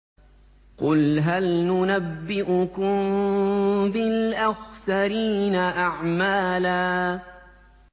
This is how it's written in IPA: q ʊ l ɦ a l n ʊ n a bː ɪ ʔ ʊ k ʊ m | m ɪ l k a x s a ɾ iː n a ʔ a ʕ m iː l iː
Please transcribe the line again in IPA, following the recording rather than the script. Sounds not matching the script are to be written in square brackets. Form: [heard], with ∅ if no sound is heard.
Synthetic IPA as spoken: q ʊ l ɦ a l n ʊ n a bː ɪ ʔ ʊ k ʊ m | [b] ɪ l [ʔ] a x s a ɾ iː n a ʔ a ʕ m [aː] l [aː]